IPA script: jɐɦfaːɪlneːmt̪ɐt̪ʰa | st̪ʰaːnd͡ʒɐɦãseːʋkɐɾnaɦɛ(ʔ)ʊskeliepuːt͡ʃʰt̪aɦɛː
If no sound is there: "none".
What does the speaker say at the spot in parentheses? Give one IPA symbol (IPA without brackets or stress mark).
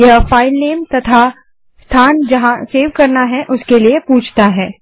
ʔ